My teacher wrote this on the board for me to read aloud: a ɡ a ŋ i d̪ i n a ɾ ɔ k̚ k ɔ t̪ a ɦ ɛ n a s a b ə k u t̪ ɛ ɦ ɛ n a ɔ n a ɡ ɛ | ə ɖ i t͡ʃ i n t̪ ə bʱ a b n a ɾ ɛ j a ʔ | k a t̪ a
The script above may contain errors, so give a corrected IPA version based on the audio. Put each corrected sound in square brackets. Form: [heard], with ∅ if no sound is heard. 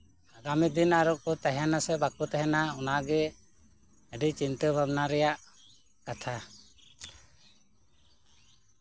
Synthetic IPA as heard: a ɡ a [m] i d̪ i n a ɾ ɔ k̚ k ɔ t̪ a ɦ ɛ n a s [ɛ] b [a] k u t̪ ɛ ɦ ɛ n a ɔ n a ɡ ɛ | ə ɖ i t͡ʃ i n t̪ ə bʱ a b n a ɾ ɛ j a ʔ | k a [t̪ʰ] a

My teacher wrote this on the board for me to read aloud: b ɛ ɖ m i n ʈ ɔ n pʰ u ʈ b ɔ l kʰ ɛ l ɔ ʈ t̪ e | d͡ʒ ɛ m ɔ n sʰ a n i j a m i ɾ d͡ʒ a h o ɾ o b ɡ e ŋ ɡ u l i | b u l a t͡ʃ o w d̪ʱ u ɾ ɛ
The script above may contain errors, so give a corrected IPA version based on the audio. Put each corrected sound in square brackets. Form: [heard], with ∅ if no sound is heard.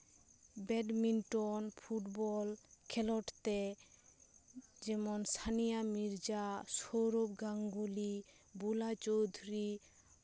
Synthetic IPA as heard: b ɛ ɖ m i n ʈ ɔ n pʰ u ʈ b ɔ l kʰ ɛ l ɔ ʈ t̪ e | d͡ʒ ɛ m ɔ n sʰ a n i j a m i ɾ d͡ʒ a [s] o ɾ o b ɡ [a] ŋ ɡ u l i | b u l a t͡ʃ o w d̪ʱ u ɾ [i]

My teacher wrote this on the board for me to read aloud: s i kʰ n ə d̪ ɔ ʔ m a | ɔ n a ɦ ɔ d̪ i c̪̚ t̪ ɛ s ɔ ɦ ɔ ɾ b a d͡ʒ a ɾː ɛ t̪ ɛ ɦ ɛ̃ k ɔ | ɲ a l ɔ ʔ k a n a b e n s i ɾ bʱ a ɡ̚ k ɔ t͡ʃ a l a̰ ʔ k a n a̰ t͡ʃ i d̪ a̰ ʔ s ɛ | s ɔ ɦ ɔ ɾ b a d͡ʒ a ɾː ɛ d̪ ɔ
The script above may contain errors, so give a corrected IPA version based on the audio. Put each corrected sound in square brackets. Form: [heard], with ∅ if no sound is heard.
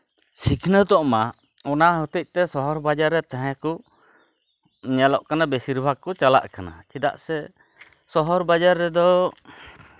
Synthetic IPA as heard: s i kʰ n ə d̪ ɔ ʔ m a | ɔ n a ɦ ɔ [t̪] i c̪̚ t̪ ɛ s ɔ ɦ ɔ ɾ b a d͡ʒ a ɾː ɛ t̪ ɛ ɦ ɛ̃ k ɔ | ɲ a l ɔ ʔ k a n a b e [∅] s i ɾ bʱ a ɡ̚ k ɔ t͡ʃ a l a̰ ʔ k a n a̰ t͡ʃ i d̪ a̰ ʔ s ɛ | s ɔ ɦ ɔ ɾ b a d͡ʒ a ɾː ɛ d̪ ɔ

